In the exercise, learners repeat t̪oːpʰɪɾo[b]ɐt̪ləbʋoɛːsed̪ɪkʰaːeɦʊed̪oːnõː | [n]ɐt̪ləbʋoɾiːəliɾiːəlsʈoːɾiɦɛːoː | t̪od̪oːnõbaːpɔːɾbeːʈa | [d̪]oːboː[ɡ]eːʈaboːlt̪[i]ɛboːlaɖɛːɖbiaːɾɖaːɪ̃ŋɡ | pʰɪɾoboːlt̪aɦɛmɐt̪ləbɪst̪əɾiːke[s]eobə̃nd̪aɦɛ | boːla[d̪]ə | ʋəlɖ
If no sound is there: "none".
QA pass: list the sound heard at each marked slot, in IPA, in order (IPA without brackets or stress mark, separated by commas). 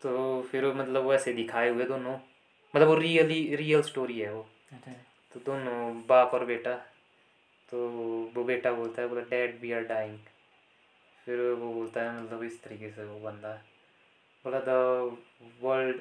m, m, t̪, b, a, s, d̪